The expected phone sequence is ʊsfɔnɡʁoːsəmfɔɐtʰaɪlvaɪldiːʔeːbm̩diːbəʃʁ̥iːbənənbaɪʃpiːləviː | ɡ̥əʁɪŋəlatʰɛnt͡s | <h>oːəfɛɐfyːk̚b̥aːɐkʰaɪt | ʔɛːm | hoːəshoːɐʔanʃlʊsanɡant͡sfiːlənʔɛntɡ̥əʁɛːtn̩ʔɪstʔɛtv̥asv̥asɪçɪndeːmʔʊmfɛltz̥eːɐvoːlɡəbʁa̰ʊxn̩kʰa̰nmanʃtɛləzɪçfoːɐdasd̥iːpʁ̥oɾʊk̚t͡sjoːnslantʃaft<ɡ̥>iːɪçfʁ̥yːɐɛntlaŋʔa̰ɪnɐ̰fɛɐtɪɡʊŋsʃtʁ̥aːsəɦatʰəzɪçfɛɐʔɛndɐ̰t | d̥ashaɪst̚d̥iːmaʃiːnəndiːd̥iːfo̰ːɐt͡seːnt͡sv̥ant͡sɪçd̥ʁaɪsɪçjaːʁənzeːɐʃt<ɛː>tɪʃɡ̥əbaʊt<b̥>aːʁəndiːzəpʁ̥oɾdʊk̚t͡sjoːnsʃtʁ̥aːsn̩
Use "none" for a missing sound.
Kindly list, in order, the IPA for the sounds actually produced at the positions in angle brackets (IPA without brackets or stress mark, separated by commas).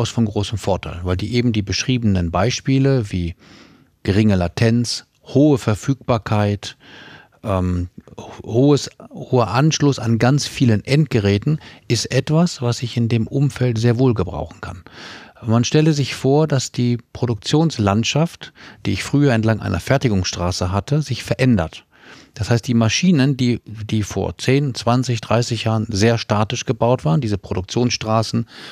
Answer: h, d̥, aː, v̥